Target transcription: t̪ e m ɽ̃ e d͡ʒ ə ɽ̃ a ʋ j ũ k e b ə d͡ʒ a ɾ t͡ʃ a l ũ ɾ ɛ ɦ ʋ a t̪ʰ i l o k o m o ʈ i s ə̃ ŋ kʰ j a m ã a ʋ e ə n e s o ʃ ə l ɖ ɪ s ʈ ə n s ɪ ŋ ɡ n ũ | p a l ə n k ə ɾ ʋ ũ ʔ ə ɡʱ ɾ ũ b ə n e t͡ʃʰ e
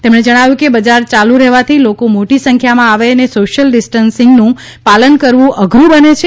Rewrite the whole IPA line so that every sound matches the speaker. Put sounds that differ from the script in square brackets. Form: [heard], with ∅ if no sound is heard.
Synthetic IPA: t̪ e m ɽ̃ e d͡ʒ ə ɽ̃ a ʋ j ũ k e b ə d͡ʒ a ɾ t͡ʃ a l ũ ɾ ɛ ɦ ʋ a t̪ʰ i l o k o m o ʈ i s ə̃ ŋ kʰ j a m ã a ʋ e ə n e s o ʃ ə l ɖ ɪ s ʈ ə n s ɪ ŋ ɡ n ũ | p a l ə n k ə ɾ ʋ ũ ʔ ə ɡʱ ɾ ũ b ə n e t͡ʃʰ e